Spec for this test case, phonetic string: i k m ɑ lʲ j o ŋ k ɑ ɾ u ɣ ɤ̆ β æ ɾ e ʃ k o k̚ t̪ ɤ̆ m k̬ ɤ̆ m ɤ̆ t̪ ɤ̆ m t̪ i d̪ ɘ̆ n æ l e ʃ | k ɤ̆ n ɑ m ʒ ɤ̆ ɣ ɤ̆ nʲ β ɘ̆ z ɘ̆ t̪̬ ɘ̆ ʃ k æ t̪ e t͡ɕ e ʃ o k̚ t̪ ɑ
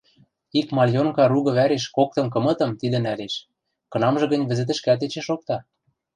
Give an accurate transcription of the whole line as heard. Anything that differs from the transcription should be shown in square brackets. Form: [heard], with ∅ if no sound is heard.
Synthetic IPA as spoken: i k m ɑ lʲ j o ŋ k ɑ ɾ u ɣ ɤ̆ β æ ɾ e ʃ k o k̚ t̪ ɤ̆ m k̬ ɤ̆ m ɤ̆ t̪ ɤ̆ m t̪ i d̪ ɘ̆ n æ l e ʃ | k ɤ̆ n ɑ m ʒ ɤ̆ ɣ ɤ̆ nʲ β ɘ̆ z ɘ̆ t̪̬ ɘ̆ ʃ k æ t̪ e t͡ɕ e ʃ o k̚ t̪ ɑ